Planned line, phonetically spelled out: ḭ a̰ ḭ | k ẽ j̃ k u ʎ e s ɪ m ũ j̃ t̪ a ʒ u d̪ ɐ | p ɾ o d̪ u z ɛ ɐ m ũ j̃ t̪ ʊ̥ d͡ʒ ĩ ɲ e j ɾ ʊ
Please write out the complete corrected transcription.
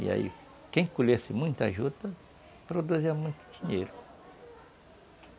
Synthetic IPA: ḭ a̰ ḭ | k ẽ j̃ k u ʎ e s ɪ m ũ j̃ t̪ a ʒ u d̪ ɐ | p ɾ o d̪ u z i ɐ m ũ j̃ t̪ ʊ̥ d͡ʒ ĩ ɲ e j ɾ ʊ